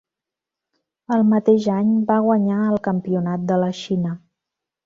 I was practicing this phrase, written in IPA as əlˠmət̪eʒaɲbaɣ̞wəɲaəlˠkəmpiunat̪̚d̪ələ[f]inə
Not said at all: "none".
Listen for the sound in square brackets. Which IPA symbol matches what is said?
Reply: ʃ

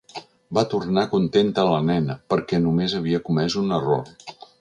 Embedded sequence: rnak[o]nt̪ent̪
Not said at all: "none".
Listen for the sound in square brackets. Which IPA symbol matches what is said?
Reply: u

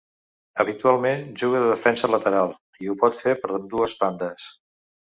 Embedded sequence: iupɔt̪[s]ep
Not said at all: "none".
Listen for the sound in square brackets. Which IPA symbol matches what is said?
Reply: f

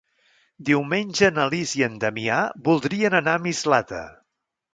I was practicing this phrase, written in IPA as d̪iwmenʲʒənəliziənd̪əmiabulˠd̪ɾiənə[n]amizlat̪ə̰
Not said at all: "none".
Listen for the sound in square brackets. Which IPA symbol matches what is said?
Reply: n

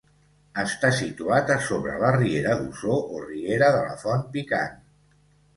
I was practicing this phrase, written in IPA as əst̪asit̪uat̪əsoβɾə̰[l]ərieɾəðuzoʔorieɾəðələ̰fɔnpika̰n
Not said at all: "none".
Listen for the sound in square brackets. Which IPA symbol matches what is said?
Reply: l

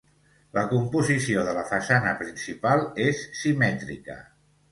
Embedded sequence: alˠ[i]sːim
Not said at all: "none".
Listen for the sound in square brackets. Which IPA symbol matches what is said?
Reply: e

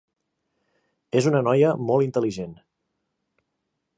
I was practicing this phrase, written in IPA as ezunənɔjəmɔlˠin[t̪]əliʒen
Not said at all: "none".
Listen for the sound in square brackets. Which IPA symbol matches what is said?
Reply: t̪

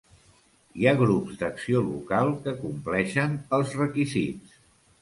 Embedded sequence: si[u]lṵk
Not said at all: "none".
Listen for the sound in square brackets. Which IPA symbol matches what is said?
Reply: o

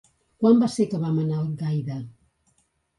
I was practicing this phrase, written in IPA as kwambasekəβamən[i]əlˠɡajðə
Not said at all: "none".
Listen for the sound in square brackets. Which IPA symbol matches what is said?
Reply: a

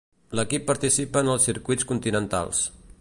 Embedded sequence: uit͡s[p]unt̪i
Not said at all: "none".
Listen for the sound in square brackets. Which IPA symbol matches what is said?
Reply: k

